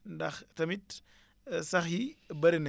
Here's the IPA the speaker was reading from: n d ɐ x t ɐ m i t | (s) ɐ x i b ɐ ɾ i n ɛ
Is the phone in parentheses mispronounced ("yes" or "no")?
no